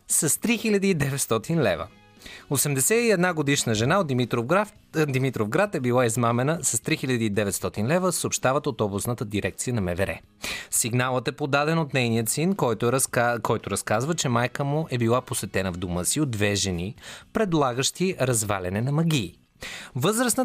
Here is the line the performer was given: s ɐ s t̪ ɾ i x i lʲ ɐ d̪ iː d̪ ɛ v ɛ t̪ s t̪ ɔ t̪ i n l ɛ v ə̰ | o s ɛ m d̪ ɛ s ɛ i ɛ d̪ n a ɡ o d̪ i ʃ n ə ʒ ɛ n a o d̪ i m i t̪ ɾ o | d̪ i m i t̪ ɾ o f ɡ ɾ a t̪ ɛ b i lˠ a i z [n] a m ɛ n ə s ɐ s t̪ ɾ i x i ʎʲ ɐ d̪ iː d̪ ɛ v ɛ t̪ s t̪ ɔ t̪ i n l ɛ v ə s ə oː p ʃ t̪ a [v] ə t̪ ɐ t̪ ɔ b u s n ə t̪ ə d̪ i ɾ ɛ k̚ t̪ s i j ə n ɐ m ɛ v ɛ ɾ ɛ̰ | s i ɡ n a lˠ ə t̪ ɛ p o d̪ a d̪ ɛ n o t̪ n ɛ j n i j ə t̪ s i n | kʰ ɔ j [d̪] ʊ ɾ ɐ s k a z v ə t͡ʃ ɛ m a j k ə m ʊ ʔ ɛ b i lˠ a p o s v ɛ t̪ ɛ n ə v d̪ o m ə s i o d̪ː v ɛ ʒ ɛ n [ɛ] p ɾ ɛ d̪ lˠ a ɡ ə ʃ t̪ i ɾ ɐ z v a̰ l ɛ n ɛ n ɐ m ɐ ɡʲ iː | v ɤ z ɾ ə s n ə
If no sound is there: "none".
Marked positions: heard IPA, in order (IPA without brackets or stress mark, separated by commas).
m, v, t̪, i